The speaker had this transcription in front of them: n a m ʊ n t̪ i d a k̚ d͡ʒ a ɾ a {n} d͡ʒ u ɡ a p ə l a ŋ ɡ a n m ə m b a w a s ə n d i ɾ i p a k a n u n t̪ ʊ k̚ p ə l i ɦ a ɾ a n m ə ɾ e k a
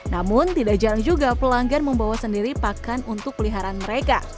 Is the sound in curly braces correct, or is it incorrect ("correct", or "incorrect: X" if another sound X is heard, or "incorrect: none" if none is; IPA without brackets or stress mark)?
incorrect: ŋ